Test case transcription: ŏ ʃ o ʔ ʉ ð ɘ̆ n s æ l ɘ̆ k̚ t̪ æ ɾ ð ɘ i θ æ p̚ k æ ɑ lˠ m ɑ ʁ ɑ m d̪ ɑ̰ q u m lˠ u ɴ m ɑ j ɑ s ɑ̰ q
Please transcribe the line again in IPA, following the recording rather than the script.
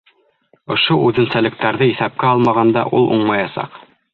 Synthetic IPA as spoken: ŏ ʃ o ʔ ʉ ð ɘ̆ n s æ l ɘ̆ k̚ t̪ æ ɾ ð ɘ i θ æ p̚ k æ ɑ lˠ m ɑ ʁ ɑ n d̪ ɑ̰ ʔ u lˠ u ɴ m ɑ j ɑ s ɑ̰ q